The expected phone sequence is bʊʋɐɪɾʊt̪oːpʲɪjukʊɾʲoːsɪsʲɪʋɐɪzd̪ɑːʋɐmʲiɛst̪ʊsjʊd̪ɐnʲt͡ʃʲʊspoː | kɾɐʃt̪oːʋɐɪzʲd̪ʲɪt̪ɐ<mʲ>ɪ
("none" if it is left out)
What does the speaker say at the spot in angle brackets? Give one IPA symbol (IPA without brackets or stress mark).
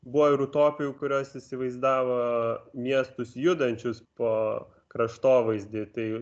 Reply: none